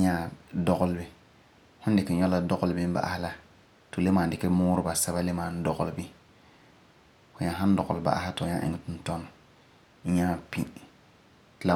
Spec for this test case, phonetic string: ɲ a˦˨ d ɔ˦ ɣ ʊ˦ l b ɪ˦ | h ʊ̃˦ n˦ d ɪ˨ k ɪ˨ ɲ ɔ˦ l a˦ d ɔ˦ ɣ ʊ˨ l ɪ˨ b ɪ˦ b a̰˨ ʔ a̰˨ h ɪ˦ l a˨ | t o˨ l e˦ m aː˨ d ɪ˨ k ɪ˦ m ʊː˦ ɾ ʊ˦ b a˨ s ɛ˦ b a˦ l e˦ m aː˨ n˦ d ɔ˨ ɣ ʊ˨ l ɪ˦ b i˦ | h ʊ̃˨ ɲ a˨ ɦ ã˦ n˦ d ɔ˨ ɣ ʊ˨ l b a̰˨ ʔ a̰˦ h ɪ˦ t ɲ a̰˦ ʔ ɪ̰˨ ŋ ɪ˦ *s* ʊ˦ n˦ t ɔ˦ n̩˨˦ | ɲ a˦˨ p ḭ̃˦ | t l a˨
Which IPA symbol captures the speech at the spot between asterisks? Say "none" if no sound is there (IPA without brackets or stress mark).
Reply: t